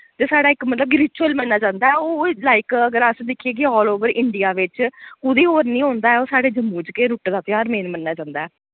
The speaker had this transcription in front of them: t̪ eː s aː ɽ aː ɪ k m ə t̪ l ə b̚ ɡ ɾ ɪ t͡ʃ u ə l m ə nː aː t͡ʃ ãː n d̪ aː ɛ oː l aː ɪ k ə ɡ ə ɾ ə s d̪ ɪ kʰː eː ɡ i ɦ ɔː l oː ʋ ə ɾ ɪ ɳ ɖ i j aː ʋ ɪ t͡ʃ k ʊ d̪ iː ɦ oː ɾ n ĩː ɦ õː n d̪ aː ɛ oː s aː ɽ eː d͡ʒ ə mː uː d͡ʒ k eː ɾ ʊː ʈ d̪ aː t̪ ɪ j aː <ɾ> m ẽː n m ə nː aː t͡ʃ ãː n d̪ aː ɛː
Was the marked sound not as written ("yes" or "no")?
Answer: no